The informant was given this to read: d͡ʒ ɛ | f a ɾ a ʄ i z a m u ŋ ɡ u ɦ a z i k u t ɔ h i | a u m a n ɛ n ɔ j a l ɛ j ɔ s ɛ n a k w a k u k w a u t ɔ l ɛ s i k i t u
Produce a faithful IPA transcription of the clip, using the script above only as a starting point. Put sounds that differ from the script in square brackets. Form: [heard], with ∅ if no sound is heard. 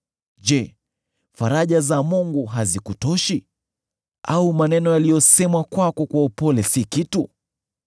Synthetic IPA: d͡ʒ ɛ | f a ɾ a ʄ [a] z a m u ŋ ɡ u ɦ a z i k u t ɔ [ʃ] i | a u m a n ɛ n ɔ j a l [i] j ɔ s ɛ [m] a k w a k [ɔ] k w a u [p] ɔ l ɛ s i k i t u